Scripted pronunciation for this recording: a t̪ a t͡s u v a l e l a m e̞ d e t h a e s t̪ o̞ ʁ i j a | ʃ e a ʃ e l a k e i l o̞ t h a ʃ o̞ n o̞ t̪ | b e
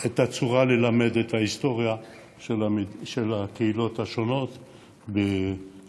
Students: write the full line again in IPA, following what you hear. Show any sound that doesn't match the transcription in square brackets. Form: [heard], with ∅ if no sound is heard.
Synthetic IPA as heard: [e] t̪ a t͡s u [ʁ] a l e l a m e̞ d e t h a [i] s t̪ o̞ ʁ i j a | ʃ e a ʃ e l a k e i l o̞ t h a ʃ o̞ n o̞ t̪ | b e